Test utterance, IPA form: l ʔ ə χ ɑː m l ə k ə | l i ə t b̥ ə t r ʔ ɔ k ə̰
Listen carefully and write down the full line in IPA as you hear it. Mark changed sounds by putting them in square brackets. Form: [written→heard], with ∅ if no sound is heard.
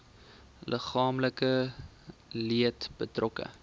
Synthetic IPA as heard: l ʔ ə χ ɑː m l ə k ə | l i ə t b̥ ə t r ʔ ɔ k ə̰